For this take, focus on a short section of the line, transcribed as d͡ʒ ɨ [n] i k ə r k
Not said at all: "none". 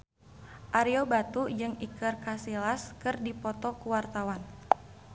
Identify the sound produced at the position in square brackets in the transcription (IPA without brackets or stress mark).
ŋ